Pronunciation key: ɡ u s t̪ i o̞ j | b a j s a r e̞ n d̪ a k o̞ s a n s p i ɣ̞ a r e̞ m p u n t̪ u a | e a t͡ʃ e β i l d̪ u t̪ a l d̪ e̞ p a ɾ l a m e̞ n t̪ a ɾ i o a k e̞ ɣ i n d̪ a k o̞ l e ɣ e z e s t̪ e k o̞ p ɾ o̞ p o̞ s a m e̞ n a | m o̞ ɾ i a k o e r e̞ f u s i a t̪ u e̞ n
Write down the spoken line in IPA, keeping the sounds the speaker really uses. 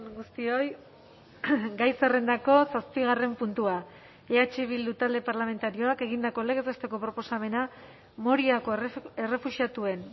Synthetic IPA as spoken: ɡ u s t̪ i o̞ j | ɡ a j s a r e̞ n d̪ a k o̞ s a s p i ɣ̞ a r e̞ m p u n t̪ u a | e a t͡ʃ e β i l d̪ u t̪ a l d̪ e̞ p a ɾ l a m e̞ n t̪ a ɾ i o a k e̞ ɣ i n d̪ a k o̞ l e ɣ e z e s t̪ e k o̞ p ɾ o̞ p o̞ s a m e̞ n a | m o̞ ɾ i a k o e r e̞ f u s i a t̪ u e̞ n